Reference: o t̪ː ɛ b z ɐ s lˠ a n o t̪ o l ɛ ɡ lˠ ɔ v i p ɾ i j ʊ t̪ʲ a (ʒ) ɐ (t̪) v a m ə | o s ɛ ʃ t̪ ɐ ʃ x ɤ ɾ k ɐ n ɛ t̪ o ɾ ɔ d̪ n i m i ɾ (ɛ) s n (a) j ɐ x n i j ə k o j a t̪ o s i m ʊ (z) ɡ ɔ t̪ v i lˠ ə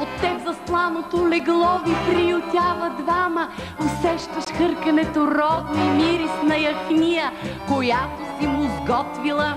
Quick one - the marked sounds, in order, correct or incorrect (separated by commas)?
incorrect, incorrect, incorrect, incorrect, correct